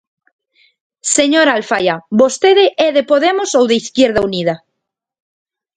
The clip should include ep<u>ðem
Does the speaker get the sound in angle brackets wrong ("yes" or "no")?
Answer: yes